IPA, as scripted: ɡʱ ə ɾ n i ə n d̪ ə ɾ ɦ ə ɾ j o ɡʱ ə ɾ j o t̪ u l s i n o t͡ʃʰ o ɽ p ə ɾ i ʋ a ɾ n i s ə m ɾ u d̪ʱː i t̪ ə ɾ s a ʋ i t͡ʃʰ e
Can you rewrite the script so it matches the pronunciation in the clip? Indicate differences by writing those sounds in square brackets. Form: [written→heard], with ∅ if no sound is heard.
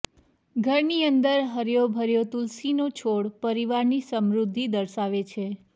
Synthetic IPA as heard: ɡʱ ə ɾ n i ə n d̪ ə ɾ ɦ ə ɾ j o [ɡʱ→bʱ] ə ɾ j o t̪ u l s i n o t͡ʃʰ o ɽ p ə ɾ i ʋ a ɾ n i s ə m ɾ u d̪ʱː i [t̪→d̪] ə ɾ [s→ʃ] a ʋ [i→e] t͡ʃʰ e